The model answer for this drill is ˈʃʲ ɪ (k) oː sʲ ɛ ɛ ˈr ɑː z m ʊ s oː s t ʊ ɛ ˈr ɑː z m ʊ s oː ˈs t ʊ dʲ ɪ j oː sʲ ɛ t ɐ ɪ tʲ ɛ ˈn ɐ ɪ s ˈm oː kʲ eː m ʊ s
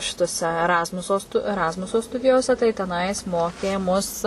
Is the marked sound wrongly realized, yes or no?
yes